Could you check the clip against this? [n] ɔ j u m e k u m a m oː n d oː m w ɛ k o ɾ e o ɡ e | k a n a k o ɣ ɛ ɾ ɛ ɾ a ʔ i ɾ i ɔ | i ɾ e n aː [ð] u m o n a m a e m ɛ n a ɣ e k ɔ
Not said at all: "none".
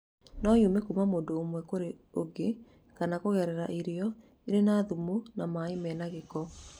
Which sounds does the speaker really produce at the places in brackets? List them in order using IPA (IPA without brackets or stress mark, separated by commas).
n, ð